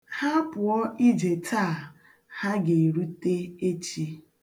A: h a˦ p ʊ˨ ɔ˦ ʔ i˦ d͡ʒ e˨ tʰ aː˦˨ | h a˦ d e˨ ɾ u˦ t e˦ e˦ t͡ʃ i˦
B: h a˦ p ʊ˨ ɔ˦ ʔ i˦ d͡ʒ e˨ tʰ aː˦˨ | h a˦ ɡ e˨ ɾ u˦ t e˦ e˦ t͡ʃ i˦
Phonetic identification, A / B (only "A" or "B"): B